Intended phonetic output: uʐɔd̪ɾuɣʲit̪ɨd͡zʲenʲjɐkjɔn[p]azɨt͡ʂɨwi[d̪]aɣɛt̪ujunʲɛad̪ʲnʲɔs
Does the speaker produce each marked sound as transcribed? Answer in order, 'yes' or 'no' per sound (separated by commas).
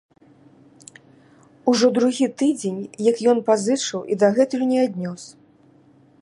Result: yes, yes